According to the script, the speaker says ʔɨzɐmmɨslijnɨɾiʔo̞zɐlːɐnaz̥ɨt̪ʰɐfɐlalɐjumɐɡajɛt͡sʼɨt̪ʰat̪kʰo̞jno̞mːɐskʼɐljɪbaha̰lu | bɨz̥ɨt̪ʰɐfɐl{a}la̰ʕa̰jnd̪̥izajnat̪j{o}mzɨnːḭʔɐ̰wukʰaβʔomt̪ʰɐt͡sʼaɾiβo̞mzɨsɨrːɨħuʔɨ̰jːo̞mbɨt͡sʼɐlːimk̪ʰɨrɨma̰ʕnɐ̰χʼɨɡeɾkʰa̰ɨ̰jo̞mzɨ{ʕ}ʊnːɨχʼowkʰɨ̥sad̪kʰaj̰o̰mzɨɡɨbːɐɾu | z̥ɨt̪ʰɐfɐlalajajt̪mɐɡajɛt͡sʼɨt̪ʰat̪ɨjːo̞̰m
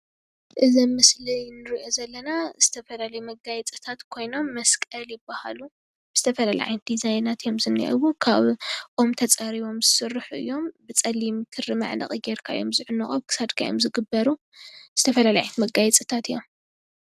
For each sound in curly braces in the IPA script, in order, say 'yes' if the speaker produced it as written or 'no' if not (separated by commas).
yes, yes, yes